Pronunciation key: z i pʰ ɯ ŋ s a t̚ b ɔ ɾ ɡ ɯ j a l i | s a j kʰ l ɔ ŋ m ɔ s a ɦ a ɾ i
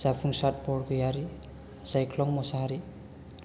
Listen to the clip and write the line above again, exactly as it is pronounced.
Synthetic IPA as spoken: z a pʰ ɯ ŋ s a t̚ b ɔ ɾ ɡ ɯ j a ɾ i | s a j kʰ l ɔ ŋ m ɔ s a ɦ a ɾ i